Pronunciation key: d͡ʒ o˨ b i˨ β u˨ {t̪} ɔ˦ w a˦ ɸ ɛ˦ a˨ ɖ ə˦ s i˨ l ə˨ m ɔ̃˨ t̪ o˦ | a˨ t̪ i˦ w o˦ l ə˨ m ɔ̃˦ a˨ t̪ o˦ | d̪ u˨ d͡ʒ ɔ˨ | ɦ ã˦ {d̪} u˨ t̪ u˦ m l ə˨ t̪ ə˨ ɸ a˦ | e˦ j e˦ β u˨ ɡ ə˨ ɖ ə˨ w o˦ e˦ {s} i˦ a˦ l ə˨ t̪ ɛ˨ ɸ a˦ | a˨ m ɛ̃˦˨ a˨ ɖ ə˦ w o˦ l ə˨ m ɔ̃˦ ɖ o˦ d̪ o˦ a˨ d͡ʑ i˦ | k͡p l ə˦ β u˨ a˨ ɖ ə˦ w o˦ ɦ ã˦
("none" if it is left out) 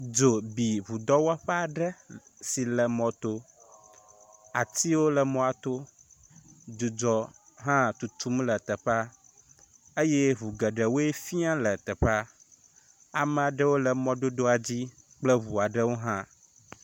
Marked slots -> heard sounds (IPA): d̪, t̪, f

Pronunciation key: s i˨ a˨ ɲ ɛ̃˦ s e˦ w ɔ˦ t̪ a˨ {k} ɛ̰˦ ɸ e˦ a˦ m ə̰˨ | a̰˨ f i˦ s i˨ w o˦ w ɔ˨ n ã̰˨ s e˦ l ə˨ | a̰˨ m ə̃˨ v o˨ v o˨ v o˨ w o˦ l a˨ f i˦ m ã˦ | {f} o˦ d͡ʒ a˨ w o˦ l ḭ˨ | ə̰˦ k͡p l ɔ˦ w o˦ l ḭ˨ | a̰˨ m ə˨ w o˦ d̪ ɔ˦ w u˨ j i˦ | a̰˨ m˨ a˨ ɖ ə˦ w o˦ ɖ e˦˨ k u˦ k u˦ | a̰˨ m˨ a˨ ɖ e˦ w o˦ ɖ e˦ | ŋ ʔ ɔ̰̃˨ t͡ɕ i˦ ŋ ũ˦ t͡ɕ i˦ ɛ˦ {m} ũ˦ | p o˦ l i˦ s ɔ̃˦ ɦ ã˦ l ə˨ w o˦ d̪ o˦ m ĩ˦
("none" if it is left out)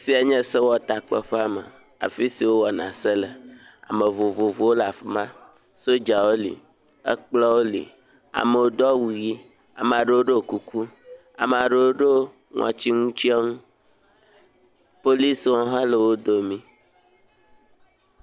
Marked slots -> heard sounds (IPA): k͡p, s, ŋ

